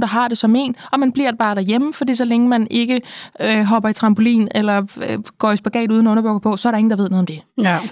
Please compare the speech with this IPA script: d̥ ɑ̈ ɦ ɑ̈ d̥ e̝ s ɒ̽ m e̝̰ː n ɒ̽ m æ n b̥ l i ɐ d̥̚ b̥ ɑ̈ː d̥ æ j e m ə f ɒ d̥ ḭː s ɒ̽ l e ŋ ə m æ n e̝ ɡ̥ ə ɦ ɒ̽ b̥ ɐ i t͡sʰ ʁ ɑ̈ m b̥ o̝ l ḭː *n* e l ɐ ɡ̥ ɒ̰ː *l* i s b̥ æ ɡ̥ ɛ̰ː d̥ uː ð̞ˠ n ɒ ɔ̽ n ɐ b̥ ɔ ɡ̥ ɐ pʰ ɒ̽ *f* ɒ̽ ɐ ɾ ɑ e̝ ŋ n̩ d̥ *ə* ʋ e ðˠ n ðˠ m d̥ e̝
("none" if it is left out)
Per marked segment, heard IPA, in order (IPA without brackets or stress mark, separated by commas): n, none, s, ɑ